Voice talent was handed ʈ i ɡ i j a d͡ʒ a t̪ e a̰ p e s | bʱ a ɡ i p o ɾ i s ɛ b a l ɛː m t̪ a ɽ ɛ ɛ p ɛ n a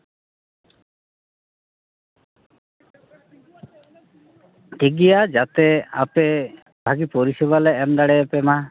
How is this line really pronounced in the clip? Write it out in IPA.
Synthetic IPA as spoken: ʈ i ɡ i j a d͡ʒ a t̪ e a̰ p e | bʱ a ɡ i p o ɾ i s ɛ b a l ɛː m d̪ a ɽ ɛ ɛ p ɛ m a